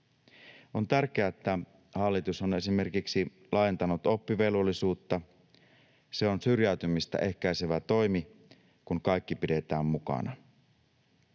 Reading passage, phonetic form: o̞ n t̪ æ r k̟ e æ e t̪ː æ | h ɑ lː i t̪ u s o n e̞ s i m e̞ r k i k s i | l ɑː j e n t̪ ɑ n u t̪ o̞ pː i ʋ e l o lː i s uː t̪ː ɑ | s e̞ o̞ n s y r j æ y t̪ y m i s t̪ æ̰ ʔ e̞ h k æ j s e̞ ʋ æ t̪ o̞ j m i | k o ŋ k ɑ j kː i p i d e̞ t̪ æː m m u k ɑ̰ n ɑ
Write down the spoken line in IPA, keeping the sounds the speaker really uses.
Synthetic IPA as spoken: o̞ n t̪ æ r k̟ e æ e t̪ː æ | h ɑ lː i t̪ u s o n e̞ s i m e̞ r k i k s i | l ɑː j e n t̪ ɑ n u t̪ o̞ pː i ʋ e l o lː i s uː t̪ː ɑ | s e̞ o̞ n s y r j æ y t̪ y m i s t̪ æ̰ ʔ e̞ h k æ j s e̞ ʋ æ t̪ o̞ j m i | k u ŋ k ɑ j kː i p i d e̞ t̪ æː m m u k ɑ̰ n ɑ